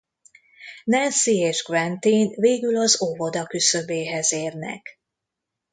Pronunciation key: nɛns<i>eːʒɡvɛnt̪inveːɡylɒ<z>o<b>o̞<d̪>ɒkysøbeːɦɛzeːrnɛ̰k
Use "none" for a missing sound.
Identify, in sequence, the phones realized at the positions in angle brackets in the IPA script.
i, z, v, d̪

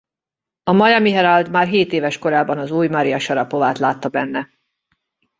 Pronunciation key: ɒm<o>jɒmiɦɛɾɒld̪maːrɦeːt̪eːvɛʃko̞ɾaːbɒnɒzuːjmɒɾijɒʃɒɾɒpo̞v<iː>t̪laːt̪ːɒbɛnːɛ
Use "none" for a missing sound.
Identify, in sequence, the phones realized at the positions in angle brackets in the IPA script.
ɒ, aː

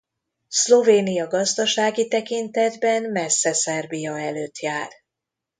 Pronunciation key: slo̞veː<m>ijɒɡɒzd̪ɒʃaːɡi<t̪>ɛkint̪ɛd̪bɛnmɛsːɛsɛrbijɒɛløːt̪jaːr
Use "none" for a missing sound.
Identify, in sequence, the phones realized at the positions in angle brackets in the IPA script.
n, t̪

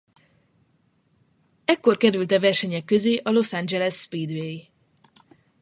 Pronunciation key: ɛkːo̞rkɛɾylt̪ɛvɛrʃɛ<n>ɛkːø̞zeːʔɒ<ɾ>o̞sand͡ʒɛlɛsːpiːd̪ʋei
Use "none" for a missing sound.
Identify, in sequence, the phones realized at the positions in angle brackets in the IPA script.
ɲ, l

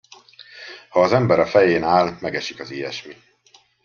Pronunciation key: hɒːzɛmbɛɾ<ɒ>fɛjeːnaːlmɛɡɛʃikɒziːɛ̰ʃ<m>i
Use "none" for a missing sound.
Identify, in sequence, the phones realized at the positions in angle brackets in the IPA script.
ɒ, m

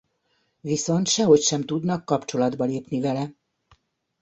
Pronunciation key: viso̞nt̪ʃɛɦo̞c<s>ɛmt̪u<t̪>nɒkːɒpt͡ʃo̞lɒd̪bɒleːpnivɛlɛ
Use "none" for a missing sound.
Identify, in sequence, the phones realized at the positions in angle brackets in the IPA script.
ʃ, d̪

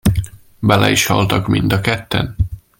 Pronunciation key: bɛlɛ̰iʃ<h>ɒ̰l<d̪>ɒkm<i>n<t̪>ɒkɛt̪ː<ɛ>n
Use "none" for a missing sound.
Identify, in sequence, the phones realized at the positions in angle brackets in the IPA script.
h, t̪, i, d̪, ɛ

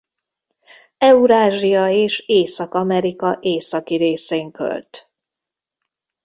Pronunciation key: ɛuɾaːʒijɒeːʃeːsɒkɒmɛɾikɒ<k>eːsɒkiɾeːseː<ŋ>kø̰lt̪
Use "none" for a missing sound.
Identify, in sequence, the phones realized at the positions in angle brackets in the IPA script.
ʔ, ŋ

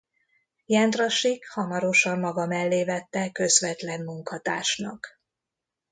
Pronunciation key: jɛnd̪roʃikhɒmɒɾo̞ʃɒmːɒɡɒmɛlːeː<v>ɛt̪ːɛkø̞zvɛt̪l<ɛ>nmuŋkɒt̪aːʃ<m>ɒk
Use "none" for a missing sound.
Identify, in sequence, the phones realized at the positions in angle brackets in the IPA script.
v, ɛ, n

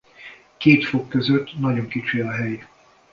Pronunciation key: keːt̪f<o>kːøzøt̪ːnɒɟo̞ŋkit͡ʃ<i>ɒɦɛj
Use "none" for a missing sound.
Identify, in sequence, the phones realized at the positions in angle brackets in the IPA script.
o, i

